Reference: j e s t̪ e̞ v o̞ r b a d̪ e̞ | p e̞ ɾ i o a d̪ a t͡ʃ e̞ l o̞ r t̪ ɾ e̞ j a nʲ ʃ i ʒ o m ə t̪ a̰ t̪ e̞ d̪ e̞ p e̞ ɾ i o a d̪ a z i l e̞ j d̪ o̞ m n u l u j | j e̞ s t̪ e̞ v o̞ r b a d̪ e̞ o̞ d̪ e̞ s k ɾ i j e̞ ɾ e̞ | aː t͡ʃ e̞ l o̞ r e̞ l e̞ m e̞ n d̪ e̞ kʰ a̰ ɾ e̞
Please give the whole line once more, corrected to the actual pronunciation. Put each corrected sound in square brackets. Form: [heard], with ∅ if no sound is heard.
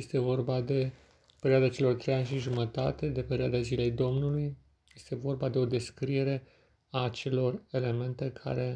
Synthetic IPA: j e s t̪ e̞ v o̞ r b a d̪ e̞ | p e̞ ɾ i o a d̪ a t͡ʃ e̞ l o̞ r t̪ ɾ e̞ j a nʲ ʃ i ʒ [u] m ə t̪ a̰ t̪ e̞ d̪ e̞ p e̞ ɾ i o a d̪ a z i l e̞ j d̪ o̞ m n u l u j | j e̞ s t̪ e̞ v o̞ r b a d̪ e̞ o̞ d̪ e̞ s k ɾ i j e̞ ɾ e̞ | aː t͡ʃ e̞ l o̞ r e̞ l e̞ m e̞ n [t̪] e̞ kʰ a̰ ɾ e̞